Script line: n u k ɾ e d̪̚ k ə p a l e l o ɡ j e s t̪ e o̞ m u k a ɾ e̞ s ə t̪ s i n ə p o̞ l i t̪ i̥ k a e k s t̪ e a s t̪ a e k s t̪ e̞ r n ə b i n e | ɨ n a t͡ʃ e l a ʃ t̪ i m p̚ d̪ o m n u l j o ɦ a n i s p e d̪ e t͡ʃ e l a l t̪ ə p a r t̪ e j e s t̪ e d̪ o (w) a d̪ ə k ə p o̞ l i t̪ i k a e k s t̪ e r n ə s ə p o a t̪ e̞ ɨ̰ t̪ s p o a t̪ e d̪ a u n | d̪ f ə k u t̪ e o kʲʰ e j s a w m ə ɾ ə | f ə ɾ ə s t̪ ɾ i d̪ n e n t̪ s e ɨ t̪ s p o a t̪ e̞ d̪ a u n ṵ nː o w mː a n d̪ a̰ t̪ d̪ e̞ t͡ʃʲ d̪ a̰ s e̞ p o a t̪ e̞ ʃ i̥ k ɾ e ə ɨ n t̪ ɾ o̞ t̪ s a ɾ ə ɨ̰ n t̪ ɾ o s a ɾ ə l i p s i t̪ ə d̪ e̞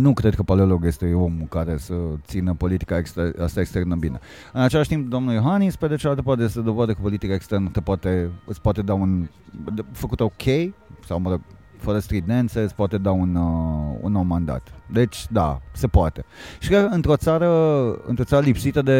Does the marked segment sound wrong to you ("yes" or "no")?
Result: yes